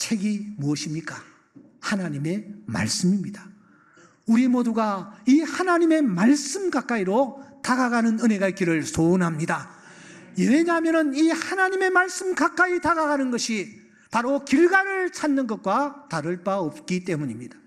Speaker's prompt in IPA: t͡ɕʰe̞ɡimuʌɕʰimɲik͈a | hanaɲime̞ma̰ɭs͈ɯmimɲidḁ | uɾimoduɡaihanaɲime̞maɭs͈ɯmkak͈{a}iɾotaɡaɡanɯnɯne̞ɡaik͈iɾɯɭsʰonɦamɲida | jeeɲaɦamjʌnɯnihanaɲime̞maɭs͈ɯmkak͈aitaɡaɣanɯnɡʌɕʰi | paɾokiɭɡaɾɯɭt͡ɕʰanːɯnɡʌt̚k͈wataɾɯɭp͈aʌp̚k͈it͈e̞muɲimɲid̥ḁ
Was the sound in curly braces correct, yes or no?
yes